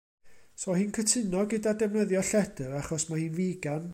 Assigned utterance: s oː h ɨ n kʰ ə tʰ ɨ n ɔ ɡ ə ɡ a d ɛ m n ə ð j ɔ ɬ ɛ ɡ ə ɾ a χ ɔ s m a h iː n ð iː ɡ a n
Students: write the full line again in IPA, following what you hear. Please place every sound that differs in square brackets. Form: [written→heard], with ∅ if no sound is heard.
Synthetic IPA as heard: s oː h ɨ n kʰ ə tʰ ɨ n ɔ ɡ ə [ɡ→d] a d ɛ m n ə ð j ɔ ɬ ɛ [ɡ→d] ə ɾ a χ ɔ s m a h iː n [ð→v] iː ɡ a n